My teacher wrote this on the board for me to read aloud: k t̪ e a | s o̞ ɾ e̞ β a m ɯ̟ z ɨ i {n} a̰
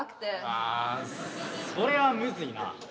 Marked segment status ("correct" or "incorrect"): correct